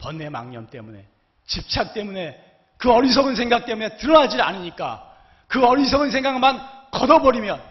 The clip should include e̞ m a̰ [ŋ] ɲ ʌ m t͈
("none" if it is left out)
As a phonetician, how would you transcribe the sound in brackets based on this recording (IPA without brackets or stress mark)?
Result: ŋ